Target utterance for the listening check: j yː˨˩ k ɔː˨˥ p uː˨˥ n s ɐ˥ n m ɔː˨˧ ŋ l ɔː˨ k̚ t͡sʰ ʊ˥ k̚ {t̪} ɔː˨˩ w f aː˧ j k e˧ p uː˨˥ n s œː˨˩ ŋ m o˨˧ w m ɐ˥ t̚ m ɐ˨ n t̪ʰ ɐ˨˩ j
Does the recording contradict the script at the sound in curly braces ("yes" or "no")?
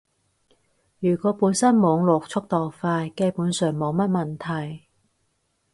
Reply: no